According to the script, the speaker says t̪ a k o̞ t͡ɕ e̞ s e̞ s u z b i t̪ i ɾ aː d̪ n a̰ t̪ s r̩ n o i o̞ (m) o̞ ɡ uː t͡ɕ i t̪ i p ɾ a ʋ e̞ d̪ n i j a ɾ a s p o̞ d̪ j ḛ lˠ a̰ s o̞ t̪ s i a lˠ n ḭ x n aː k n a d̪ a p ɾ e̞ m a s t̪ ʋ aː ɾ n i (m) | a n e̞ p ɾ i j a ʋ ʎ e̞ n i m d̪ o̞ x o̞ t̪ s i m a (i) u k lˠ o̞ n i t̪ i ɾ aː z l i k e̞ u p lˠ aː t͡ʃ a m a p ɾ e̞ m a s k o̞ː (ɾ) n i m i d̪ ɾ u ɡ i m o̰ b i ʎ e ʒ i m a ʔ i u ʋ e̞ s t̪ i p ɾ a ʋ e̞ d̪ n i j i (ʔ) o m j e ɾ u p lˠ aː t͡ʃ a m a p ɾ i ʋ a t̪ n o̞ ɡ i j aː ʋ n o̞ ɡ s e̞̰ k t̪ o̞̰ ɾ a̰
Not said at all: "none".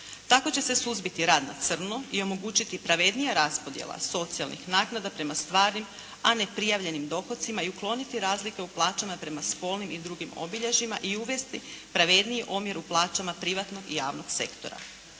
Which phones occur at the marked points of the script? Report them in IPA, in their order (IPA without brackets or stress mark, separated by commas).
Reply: m, m, i, l, ʔ